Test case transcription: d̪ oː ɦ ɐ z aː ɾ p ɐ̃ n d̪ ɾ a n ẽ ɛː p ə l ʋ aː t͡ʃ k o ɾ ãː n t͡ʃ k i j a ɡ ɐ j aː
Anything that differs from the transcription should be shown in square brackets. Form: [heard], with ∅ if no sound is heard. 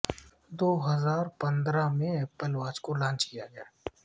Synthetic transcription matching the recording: d̪ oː ɦ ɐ z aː ɾ p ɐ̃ n d̪ ɾ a [m] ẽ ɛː p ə l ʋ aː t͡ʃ k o [l] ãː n t͡ʃ k i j a ɡ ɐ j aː